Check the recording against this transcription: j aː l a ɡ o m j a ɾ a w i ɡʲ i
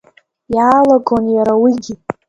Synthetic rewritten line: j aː l a ɡ o n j a ɾ a w i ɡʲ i